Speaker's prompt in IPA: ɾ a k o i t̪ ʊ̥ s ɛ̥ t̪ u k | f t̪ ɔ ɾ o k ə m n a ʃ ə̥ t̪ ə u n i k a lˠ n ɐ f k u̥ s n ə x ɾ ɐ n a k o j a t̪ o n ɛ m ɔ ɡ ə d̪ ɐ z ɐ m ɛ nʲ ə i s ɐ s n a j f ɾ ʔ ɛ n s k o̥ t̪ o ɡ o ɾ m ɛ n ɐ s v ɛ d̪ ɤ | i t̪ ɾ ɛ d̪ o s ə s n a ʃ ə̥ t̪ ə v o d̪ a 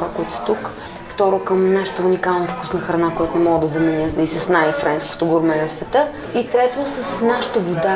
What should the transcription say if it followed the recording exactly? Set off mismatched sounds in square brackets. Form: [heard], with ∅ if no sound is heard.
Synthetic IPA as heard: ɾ a k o i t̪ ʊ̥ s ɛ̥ t̪ u k | f t̪ ɔ ɾ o k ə m n a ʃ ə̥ t̪ ə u n i k a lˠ n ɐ f k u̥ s n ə x ɾ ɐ n a k o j a t̪ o n ɛ m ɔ ɡ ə d̪ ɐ z ɐ m ɛ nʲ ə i s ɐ s n a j f ɾ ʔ ɛ n s k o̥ t̪ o ɡ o ɾ m ɛ n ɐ s v ɛ [t̪] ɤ | i t̪ ɾ ɛ [t̪] o s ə s n a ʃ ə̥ t̪ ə v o d̪ a